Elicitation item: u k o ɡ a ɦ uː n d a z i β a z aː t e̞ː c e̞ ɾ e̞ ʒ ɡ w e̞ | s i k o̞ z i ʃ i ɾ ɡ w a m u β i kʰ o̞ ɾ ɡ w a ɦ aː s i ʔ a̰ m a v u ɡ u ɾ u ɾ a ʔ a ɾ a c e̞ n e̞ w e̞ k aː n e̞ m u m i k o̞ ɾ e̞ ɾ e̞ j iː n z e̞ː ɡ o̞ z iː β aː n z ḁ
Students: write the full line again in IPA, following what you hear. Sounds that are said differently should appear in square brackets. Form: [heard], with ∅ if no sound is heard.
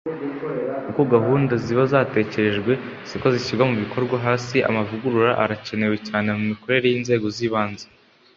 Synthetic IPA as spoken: u k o ɡ a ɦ uː n d a z i β a z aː t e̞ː c e̞ ɾ e̞ ʒ ɡ w e̞ | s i k o̞ z i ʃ i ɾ ɡ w a m u β i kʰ o̞ ɾ ɡ w a ɦ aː s i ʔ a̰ m a v u ɡ u ɾ u ɾ a ʔ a ɾ a c e̞ n e̞ w e̞ [c] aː n e̞ m u m i k o̞ ɾ e̞ ɾ e̞ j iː n z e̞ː ɡ o̞ z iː β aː n z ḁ